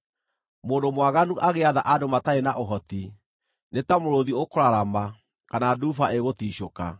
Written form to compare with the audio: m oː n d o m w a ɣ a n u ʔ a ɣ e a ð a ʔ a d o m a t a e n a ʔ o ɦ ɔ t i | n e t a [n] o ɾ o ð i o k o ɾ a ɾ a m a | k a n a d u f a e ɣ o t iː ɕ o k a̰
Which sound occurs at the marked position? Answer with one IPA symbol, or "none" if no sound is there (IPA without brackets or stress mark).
m